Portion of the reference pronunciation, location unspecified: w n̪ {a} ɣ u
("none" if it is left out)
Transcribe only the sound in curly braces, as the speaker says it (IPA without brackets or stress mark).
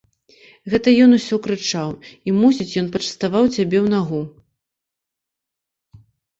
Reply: a